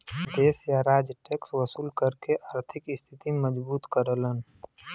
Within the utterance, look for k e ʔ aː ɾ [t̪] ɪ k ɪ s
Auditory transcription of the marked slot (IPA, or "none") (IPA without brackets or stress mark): t̪ʰ